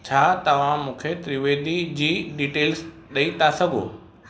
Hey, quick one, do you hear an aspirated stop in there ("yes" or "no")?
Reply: yes